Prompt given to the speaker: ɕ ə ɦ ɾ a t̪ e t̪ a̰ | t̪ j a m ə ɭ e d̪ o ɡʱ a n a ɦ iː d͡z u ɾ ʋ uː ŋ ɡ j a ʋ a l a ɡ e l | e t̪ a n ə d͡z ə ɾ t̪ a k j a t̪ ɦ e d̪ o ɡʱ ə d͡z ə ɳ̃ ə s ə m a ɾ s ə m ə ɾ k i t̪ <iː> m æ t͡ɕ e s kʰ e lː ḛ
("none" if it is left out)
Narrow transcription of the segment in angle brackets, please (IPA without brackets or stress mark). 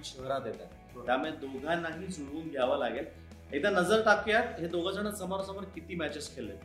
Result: iː